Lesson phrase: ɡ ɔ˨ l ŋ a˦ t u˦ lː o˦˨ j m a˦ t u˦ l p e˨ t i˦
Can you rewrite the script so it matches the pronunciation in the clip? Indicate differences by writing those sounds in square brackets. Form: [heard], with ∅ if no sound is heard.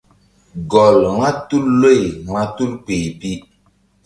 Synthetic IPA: ɡ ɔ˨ l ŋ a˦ t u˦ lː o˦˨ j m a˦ t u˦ l p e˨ [p] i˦